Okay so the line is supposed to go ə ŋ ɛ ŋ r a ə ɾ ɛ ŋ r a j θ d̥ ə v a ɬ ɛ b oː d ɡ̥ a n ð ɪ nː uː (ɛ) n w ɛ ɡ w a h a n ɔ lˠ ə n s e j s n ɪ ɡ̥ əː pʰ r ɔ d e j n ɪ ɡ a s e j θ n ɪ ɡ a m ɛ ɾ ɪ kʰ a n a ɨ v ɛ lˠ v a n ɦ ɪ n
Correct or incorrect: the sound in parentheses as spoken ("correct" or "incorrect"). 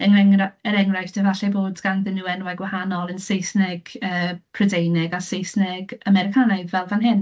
correct